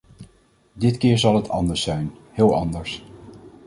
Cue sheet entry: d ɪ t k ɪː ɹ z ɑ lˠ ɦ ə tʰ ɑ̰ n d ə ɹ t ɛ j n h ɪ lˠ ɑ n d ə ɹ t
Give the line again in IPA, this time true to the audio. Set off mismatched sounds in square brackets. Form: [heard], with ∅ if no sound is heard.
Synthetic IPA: d ɪ t k ɪː ɹ z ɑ lˠ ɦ ə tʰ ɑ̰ n d ə ɹ [s] ɛ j n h [ɪː] lˠ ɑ n d ə ɹ [s]

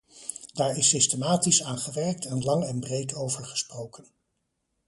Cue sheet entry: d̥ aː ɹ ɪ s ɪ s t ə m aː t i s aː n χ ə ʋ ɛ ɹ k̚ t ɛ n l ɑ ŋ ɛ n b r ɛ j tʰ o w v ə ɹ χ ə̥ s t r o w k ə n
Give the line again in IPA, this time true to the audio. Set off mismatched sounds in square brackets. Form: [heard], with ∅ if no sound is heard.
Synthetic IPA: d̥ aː ɹ ɪ s ɪ s t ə m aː t i s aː n χ ə ʋ ɛ ɹ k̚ t ɛ n l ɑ ŋ ɛ n b r [e] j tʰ o w v ə ɹ χ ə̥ s [p] r o w k ə n

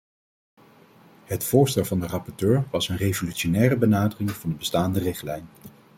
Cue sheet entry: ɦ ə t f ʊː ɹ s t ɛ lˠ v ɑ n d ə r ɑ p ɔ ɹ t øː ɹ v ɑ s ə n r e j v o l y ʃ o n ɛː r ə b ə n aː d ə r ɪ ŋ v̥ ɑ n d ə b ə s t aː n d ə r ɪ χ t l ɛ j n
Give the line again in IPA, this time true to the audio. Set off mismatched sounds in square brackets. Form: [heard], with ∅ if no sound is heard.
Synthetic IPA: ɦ ə t f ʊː ɹ s t ɛ lˠ v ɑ n d ə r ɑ p ɔ ɹ t øː ɹ [ʋ] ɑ s ə n r e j v o l y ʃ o n ɛː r ə b ə n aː d ə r ɪ ŋ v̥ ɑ n d ə b ə s t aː n d ə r ɪ χ t l ɛ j n

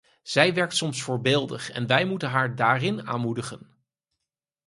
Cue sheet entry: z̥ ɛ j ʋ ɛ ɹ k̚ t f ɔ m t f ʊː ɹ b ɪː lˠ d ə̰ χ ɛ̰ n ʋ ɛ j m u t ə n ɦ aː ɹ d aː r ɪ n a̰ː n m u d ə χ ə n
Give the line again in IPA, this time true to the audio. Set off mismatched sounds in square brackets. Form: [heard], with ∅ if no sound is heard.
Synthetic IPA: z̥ ɛ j ʋ ɛ ɹ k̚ t [s] ɔ m [s] f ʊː ɹ b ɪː lˠ d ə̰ χ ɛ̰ n ʋ ɛ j m u t ə n ɦ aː ɹ d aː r ɪ n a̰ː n m u d ə χ ə n

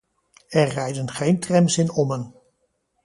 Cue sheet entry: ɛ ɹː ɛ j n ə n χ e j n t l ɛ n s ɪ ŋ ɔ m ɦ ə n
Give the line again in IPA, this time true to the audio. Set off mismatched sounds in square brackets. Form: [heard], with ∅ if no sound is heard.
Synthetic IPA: ɛ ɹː ɛ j [d] ə n χ e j n t [r] ɛ [m] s ɪ [n] ɔ m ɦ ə n

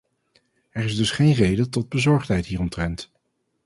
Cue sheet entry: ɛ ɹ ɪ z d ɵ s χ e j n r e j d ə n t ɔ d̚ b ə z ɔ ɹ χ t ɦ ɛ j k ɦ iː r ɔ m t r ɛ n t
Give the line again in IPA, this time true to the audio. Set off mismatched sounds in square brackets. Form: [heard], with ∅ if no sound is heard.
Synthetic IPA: ɛ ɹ ɪ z d ɵ s χ e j n r e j d ə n t ɔ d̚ b ə z ɔ ɹ χ t ɦ ɛ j [t] ɦ iː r ɔ m t r ɛ n t

